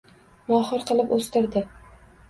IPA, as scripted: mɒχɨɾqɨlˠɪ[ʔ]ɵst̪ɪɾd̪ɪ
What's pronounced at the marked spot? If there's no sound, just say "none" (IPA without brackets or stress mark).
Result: p